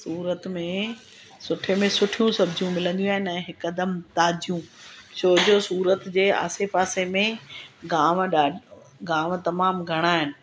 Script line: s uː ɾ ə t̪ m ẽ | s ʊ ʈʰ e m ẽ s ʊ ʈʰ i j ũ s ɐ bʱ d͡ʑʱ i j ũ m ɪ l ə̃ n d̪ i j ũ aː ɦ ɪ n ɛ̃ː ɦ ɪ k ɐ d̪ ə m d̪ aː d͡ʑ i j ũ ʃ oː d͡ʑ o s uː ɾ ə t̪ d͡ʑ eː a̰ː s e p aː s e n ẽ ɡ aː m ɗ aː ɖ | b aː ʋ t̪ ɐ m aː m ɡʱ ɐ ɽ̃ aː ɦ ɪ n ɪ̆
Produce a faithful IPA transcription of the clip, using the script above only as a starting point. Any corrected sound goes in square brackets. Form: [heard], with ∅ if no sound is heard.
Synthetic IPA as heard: s uː ɾ ə t̪ m ẽ | s ʊ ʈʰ e m ẽ s ʊ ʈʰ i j ũ s ɐ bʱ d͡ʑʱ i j ũ m ɪ l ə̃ n d̪ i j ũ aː ɦ ɪ n ɛ̃ː ɦ ɪ k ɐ d̪ ə m [t̪] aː d͡ʑ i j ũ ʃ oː d͡ʑ o s uː ɾ ə t̪ d͡ʑ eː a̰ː s e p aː s e [m] ẽ ɡ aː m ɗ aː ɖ | [ɡ] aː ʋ t̪ ɐ m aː m ɡʱ ɐ ɽ̃ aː ɦ ɪ n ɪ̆

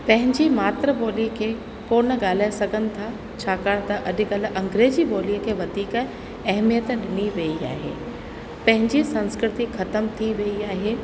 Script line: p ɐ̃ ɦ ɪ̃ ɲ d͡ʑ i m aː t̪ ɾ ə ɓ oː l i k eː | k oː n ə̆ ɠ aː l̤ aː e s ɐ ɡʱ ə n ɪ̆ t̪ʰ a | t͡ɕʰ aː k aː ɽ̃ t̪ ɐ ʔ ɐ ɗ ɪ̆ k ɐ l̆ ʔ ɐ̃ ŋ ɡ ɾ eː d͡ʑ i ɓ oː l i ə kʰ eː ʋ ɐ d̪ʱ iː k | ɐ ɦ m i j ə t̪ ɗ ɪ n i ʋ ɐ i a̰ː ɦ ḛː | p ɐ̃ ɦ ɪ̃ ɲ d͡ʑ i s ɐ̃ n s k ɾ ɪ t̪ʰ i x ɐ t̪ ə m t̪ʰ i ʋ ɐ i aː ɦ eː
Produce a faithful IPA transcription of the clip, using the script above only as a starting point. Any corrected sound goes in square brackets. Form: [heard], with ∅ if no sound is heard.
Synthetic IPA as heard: p ɐ̃ ɦ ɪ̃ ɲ d͡ʑ i m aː t̪ ɾ ə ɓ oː l i [kʰ] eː | k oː n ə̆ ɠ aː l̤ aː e s ɐ ɡʱ ə n ɪ̆ t̪ʰ a | t͡ɕʰ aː k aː ɽ̃ t̪ ɐ ʔ ɐ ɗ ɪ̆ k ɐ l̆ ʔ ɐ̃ ŋ ɡ ɾ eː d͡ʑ i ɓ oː l i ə kʰ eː ʋ ɐ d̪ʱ iː k | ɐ ɦ m i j ə t̪ ɗ ɪ n i ʋ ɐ i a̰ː ɦ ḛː | p ɐ̃ ɦ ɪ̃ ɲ d͡ʑ i s ɐ̃ n s k ɾ ɪ [t̪] i x ɐ t̪ ə m t̪ʰ i ʋ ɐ i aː ɦ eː

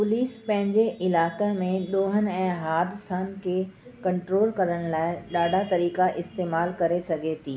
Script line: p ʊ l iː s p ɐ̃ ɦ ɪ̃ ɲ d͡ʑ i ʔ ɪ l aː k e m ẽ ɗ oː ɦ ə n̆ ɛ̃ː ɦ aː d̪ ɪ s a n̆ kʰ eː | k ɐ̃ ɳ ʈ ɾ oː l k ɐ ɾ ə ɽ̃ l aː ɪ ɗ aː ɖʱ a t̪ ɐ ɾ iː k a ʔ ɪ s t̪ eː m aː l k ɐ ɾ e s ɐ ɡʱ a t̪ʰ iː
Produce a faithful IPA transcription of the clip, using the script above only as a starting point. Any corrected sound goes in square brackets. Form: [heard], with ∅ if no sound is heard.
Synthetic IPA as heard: p ʊ l iː s p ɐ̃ ɦ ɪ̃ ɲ d͡ʑ [e] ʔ ɪ l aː k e m ẽ ɗ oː ɦ ə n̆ ɛ̃ː ɦ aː d̪ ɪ s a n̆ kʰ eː | k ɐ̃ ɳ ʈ ɾ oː l k ɐ ɾ ə ɽ̃ l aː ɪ ɗ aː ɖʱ a t̪ ɐ ɾ iː k a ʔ ɪ s t̪ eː m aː l k ɐ ɾ e s ɐ ɡʱ [e] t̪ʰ iː

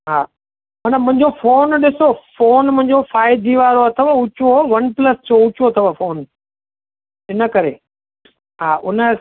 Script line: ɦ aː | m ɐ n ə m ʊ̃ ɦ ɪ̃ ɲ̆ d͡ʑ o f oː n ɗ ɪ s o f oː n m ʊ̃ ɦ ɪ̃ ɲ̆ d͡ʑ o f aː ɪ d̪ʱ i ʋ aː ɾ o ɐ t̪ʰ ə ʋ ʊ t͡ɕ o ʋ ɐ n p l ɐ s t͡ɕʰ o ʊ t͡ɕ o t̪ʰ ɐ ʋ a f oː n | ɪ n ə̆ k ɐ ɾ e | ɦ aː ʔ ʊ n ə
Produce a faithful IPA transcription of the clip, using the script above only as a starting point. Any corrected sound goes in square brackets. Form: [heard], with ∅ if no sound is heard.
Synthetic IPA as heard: ɦ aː | m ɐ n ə m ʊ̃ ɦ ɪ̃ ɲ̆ d͡ʑ o f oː n ɗ ɪ s o f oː n m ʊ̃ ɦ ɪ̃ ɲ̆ d͡ʑ o f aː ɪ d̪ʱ i ʋ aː ɾ o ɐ t̪ʰ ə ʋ ʊ t͡ɕ o ʋ ɐ n p l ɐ s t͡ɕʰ o ʊ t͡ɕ o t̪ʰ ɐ ʋ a f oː n | ɪ n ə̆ k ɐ ɾ e | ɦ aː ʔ ʊ n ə

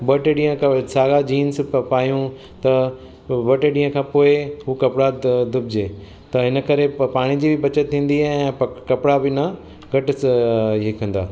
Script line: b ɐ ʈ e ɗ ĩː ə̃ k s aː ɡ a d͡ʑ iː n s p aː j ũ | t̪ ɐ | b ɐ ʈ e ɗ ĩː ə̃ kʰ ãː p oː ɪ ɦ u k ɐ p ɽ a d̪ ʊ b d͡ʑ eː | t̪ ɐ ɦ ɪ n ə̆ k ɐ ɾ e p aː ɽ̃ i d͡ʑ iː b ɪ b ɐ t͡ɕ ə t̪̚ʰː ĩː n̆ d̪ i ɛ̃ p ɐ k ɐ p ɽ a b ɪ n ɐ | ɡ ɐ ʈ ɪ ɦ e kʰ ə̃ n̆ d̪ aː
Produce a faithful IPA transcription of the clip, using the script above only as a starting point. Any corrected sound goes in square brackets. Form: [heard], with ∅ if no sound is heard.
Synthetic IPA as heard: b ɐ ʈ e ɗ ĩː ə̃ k s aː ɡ a d͡ʑ iː n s p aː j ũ | t̪ ɐ | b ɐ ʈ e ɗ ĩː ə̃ kʰ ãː p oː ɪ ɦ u k ɐ p ɽ a d̪ ʊ b d͡ʑ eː | t̪ ɐ ɦ ɪ n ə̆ k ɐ ɾ e p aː ɽ̃ i d͡ʑ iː b ɪ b ɐ t͡ɕ ə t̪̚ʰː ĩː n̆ d̪ i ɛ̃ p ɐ k ɐ p ɽ a b ɪ n ɐ | ɡ ɐ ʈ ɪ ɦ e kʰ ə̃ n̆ d̪ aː

